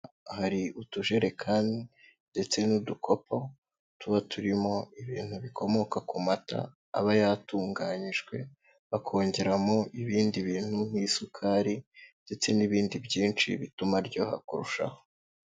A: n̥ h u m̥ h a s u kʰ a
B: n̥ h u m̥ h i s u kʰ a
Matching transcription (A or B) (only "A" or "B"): B